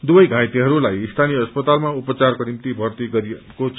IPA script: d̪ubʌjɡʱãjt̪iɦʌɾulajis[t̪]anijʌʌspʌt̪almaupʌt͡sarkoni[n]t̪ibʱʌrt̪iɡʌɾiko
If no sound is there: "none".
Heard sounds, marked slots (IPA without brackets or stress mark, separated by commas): t̪ʰ, m